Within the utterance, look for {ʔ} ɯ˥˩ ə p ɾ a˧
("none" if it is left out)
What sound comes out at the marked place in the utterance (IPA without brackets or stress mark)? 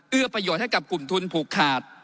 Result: ʔ